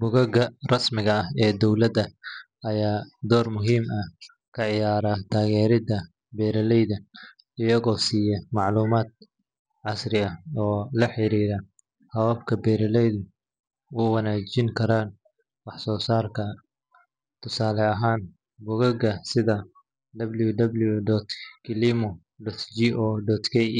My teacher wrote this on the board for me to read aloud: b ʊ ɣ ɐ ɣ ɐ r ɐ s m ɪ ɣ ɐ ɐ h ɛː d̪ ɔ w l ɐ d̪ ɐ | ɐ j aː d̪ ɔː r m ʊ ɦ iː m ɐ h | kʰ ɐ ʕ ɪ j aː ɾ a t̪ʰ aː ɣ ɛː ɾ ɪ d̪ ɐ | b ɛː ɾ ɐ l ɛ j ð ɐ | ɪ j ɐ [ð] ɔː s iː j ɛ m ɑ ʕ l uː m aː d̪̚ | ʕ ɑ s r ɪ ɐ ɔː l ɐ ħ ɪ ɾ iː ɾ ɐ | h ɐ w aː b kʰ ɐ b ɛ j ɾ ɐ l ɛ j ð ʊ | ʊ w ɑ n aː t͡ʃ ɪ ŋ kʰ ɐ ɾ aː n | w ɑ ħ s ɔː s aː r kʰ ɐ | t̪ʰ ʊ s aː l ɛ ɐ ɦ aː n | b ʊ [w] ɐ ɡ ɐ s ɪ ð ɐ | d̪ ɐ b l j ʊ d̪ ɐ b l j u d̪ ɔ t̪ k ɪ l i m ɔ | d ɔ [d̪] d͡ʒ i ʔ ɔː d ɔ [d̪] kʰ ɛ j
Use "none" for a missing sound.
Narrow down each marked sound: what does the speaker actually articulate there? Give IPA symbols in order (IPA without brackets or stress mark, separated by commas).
ɣ, ɣ, t̪, t̪